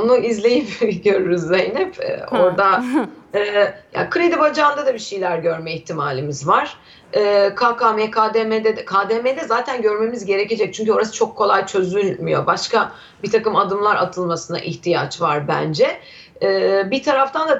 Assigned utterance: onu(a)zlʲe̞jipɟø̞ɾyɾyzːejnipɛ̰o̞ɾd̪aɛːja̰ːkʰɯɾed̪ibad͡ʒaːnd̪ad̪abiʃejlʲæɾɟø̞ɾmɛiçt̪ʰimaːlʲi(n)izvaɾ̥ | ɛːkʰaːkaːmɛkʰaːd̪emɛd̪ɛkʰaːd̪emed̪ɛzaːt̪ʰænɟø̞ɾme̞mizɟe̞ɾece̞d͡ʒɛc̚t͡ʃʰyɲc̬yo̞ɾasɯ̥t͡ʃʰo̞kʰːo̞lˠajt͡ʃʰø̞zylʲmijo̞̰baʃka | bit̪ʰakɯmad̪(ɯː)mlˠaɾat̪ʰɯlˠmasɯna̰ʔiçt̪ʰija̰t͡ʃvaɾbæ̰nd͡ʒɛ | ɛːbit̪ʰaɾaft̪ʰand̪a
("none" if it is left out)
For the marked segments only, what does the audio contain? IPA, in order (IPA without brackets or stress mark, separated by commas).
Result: i, m, ɯ